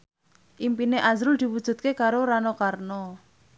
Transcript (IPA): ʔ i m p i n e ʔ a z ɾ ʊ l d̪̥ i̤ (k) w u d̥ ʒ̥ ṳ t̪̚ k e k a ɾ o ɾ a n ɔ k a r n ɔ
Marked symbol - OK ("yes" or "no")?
no